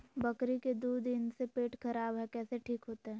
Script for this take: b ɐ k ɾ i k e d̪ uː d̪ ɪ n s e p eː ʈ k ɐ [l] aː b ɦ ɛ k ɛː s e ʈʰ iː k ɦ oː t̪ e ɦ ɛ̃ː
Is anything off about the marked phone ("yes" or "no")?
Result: yes